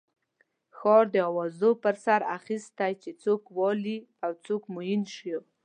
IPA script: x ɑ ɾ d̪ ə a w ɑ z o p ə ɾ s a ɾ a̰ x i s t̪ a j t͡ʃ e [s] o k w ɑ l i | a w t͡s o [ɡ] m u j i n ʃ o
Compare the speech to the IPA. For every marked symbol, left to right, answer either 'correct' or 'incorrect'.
incorrect, incorrect

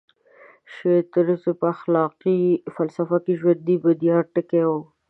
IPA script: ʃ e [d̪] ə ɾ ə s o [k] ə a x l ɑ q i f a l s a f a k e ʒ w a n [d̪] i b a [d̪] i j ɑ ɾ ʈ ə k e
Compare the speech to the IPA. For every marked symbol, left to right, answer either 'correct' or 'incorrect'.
incorrect, incorrect, correct, correct

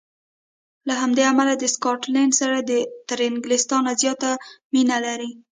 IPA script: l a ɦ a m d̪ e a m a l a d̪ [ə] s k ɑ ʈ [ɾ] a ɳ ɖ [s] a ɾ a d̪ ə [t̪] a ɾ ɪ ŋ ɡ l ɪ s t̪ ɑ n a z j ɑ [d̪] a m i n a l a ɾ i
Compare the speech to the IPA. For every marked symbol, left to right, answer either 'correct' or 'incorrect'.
correct, incorrect, correct, correct, incorrect

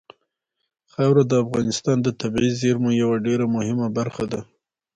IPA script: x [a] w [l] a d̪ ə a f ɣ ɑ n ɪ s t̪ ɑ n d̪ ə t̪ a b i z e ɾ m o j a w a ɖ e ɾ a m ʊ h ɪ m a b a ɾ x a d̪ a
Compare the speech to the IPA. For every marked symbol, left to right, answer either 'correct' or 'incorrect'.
correct, incorrect

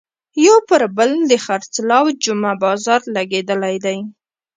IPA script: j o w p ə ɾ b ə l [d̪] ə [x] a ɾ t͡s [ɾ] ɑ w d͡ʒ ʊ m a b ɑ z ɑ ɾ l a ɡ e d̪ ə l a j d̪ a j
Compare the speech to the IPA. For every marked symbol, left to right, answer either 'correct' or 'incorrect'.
correct, correct, incorrect

